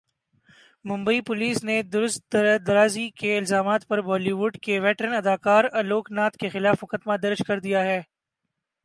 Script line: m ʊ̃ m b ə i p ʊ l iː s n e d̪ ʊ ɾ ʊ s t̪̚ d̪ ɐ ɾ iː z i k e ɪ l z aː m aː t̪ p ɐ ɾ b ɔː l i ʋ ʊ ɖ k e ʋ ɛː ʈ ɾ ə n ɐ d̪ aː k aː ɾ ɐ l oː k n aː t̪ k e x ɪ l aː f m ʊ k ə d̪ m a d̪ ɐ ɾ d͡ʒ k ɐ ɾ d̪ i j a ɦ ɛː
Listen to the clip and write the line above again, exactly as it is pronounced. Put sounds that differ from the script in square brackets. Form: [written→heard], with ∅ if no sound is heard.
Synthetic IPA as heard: m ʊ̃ m b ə i p ʊ l iː s n e d̪ ʊ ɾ ʊ s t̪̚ d̪ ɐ ɾ [iː→aː] z i k e ɪ l z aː m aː t̪ p ɐ ɾ b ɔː l i ʋ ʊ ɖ k e ʋ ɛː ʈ ɾ ə n ɐ d̪ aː k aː ɾ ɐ l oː k n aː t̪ k e x ɪ l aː f m ʊ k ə d̪ m a d̪ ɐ ɾ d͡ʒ k ɐ ɾ d̪ i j a ɦ ɛː